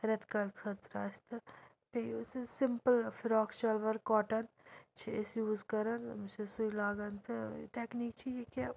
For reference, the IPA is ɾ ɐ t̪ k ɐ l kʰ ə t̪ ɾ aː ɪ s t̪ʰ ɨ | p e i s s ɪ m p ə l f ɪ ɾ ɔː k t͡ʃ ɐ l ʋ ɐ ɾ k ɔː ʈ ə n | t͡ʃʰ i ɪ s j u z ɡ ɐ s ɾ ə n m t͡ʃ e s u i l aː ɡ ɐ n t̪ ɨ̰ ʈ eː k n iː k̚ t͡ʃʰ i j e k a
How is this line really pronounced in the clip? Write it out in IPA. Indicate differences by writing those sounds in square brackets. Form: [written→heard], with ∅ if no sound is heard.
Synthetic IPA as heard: ɾ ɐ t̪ k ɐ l kʰ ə t̪ ɾ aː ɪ s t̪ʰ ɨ | p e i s s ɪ m p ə l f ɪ ɾ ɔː k t͡ʃ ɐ l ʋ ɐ ɾ k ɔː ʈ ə n | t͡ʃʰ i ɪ s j [u→uː] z [ɡ→k] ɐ [s→∅] ɾ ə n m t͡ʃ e s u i l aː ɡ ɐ n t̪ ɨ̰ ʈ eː k n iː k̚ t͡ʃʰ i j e k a